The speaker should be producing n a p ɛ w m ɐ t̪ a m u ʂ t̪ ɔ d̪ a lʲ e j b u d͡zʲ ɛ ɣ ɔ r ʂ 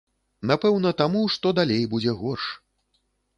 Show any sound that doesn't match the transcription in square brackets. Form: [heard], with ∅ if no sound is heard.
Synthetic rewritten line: n a p ɛ w [n] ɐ t̪ a m u ʂ t̪ ɔ d̪ a lʲ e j b u d͡zʲ ɛ ɣ ɔ r ʂ